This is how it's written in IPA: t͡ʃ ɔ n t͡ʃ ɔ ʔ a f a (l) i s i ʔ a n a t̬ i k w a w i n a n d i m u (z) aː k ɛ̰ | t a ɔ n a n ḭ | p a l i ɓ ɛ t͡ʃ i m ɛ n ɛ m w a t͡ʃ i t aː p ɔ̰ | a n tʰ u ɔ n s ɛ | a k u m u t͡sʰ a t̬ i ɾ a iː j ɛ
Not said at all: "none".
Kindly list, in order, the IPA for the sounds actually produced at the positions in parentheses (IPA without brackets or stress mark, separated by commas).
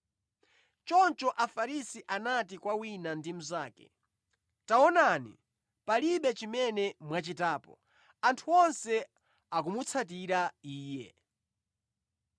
ɾ, z